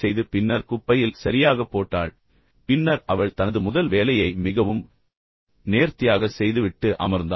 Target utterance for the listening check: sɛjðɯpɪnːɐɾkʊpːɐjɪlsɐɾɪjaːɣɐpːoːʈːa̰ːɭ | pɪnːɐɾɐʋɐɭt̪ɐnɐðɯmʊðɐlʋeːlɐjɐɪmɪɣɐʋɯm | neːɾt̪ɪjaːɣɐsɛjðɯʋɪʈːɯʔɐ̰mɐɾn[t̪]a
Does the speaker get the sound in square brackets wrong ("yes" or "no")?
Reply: yes